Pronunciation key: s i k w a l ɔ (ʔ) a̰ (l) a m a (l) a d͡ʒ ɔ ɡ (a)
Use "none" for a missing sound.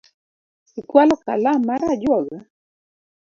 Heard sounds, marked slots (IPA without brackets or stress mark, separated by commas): k, l, ɾ, a